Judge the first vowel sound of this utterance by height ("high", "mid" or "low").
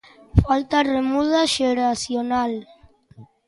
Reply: low